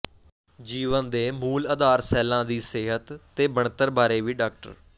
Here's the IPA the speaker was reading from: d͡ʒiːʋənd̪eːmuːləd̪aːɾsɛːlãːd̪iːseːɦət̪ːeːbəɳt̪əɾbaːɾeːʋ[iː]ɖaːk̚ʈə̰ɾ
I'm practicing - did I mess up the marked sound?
no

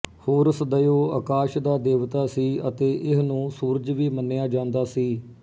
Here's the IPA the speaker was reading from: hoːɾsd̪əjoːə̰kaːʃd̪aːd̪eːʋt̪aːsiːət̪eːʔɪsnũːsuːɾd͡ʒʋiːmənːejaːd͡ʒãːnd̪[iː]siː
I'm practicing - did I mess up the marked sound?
yes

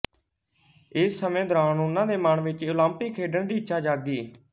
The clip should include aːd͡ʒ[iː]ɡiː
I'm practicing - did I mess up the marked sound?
yes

